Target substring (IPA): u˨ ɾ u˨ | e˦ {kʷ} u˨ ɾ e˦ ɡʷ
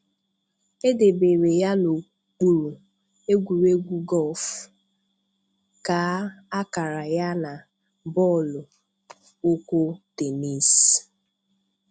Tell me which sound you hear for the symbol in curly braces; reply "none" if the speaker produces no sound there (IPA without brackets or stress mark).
ɡʷ